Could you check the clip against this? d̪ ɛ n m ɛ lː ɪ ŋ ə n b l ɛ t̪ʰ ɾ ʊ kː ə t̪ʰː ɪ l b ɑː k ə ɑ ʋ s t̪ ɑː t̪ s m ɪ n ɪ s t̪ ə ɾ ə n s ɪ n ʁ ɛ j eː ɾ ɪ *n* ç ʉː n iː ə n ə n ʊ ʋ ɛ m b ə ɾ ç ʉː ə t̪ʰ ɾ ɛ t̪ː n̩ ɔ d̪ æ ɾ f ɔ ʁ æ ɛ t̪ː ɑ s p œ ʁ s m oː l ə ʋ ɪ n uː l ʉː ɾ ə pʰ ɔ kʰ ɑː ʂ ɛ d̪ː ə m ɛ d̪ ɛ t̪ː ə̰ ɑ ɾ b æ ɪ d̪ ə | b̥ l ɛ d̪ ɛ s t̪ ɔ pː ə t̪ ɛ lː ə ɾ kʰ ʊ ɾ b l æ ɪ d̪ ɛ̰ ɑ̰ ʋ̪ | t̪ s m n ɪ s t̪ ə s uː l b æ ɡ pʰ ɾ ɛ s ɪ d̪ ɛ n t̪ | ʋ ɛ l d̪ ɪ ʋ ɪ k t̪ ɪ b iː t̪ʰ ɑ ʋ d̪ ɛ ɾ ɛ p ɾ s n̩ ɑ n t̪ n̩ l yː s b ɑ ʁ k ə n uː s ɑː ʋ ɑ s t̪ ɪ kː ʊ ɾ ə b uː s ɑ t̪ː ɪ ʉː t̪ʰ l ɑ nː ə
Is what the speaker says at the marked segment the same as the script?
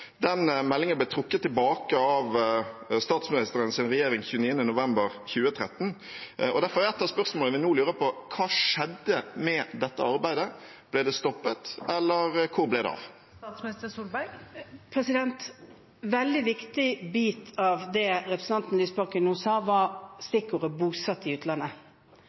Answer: no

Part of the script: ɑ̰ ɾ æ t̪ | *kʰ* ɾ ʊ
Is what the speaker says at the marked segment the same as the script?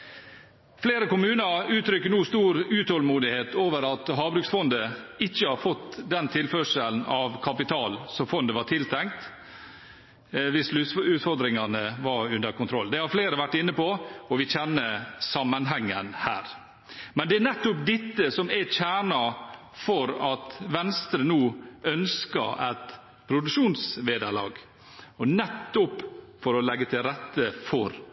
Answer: no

